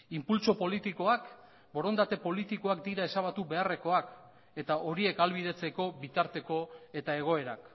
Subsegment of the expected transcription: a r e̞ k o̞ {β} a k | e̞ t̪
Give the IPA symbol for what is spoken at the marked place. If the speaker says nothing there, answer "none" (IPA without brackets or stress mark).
none